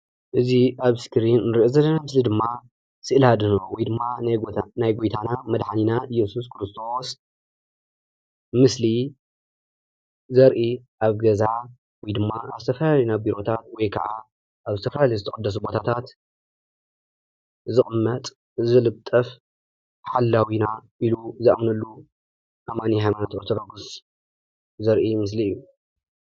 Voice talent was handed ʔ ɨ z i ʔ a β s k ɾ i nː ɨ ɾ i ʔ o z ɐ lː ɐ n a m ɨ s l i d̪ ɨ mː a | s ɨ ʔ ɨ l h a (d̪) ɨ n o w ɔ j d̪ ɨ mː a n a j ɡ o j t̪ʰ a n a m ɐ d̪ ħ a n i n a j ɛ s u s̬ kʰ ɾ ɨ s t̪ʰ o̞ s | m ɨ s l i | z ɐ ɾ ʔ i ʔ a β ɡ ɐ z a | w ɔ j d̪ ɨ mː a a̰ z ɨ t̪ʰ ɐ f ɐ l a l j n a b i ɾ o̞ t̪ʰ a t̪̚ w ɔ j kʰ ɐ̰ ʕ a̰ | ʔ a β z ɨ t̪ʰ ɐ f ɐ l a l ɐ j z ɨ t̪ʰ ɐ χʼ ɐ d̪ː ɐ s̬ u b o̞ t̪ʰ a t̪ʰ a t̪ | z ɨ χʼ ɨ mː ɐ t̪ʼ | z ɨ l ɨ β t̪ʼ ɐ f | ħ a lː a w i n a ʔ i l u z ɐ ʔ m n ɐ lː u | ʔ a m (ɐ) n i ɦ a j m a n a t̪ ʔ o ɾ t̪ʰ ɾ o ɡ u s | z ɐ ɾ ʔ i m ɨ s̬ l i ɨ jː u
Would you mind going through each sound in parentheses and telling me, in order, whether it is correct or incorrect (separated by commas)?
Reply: correct, incorrect